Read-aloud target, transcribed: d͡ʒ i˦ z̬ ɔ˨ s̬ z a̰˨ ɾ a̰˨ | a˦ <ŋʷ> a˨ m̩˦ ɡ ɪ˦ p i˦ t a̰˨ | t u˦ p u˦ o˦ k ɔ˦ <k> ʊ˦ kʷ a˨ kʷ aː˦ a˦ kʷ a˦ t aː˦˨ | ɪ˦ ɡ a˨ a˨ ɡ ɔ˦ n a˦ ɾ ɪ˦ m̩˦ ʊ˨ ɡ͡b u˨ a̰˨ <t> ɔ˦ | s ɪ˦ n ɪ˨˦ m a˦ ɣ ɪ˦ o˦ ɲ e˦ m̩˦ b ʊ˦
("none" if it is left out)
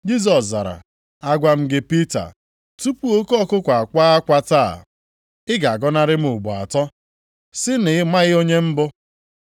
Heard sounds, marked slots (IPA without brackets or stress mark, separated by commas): ɡʷ, k, t